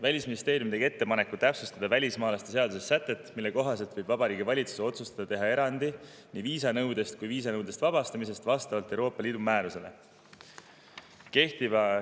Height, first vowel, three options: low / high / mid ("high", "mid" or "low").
low